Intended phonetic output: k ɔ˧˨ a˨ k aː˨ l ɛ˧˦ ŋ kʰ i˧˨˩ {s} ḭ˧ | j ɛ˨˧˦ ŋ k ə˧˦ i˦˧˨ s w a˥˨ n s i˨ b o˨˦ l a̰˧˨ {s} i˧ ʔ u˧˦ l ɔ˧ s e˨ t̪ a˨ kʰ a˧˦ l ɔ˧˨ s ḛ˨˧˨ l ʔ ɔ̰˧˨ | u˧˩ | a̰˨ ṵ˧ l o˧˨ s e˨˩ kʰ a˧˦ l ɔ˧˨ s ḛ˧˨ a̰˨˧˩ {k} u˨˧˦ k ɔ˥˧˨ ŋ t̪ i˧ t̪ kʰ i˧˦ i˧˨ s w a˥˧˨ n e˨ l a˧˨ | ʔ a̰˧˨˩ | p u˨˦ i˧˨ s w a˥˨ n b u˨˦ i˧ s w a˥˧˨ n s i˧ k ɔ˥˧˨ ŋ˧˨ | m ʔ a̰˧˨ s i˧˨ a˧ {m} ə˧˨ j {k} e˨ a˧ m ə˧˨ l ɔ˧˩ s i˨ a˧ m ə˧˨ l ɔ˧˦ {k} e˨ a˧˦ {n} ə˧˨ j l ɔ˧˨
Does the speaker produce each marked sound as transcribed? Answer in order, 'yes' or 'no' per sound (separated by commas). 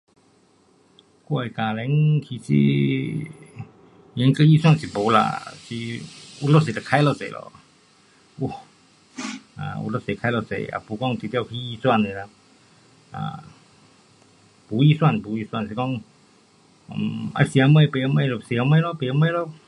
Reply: yes, yes, no, yes, no, no, no